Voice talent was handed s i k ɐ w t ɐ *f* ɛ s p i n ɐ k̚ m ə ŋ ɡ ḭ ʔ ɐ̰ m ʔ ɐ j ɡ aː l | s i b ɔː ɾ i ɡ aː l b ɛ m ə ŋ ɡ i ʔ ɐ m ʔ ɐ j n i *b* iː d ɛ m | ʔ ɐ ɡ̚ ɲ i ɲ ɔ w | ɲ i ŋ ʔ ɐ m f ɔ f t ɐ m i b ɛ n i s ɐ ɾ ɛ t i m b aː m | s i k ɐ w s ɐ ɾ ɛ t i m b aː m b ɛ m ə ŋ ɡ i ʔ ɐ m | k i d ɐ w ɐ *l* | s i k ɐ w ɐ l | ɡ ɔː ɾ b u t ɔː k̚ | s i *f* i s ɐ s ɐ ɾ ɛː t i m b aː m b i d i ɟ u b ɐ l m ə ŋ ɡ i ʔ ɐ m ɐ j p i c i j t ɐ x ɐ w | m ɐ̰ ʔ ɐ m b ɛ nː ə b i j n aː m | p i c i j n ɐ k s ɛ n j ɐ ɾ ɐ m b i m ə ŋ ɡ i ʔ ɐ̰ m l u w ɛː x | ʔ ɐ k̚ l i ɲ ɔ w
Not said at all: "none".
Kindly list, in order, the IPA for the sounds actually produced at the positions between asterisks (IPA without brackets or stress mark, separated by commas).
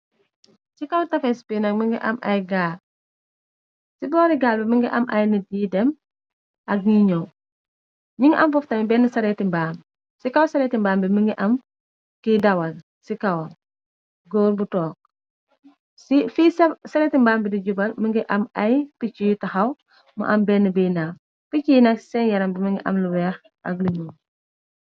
f, d, l, f